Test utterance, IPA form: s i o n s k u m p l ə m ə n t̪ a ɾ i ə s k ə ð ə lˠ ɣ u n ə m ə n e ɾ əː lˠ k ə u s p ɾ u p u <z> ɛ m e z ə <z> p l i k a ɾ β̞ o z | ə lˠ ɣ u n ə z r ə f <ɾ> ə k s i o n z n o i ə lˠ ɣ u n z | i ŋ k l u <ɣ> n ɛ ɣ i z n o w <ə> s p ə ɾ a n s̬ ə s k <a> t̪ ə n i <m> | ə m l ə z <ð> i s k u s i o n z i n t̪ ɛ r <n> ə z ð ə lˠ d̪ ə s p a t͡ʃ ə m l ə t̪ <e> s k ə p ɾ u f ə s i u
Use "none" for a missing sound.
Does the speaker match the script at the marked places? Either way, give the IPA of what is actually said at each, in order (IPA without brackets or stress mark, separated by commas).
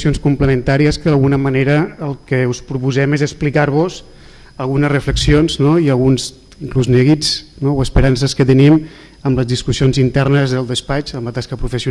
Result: z, s, l, z, ə, ə, m, ð, n, a